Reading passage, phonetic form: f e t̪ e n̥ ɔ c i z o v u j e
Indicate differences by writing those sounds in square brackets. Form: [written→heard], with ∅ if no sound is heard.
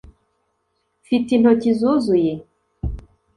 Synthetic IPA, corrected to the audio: f [e→i] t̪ [e→i] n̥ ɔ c i z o [v→z] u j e